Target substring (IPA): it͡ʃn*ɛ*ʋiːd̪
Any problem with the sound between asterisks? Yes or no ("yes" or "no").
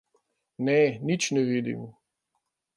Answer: no